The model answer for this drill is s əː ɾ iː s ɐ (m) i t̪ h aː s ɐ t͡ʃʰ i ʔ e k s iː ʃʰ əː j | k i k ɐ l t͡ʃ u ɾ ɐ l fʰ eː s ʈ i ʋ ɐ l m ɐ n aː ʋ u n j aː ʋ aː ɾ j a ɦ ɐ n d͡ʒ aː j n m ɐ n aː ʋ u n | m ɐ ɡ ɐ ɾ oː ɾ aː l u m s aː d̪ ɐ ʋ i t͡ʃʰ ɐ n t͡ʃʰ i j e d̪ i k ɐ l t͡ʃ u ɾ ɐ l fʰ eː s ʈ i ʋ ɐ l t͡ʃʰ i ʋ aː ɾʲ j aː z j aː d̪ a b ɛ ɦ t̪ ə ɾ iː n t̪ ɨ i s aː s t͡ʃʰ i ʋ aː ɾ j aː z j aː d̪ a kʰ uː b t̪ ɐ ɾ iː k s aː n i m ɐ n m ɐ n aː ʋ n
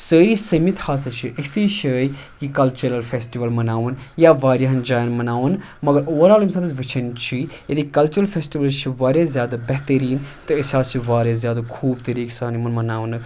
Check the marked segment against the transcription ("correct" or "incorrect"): correct